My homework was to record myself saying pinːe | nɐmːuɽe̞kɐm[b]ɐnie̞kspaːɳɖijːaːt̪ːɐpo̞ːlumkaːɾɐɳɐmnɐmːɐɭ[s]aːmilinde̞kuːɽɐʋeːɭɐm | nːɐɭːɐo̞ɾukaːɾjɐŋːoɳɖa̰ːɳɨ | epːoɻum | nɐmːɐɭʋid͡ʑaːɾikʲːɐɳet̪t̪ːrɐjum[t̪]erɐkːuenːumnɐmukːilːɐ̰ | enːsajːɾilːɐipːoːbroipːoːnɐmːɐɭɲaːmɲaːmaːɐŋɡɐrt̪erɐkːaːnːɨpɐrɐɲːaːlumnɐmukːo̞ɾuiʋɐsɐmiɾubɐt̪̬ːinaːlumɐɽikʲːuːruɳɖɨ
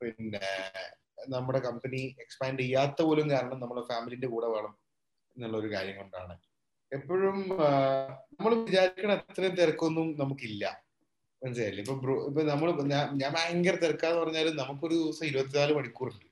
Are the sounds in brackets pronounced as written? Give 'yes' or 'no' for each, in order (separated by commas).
no, no, yes